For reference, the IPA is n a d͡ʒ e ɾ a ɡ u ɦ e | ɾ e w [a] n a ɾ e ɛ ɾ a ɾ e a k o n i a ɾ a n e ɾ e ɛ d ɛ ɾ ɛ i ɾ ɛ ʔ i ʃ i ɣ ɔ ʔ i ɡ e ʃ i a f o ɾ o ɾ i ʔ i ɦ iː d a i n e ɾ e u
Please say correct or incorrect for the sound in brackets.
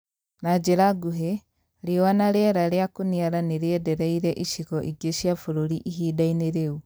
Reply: correct